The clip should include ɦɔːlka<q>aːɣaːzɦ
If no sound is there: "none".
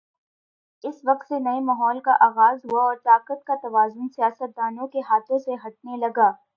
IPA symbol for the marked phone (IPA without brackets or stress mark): ʔ